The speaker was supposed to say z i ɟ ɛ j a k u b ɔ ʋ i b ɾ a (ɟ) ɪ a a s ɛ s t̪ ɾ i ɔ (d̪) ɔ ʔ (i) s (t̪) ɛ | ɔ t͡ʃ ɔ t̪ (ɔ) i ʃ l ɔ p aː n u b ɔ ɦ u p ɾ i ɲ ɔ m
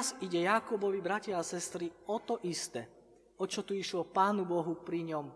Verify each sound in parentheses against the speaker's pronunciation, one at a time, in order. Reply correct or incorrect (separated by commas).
incorrect, incorrect, correct, correct, incorrect